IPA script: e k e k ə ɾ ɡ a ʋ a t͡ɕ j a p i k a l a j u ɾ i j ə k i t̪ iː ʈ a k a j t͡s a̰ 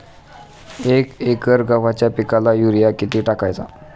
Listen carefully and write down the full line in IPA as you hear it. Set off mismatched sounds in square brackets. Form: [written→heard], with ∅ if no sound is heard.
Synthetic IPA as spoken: e k e k ə ɾ ɡ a ʋ a t͡ɕ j a p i k a l a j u ɾ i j [ə→a] k i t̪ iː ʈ a k a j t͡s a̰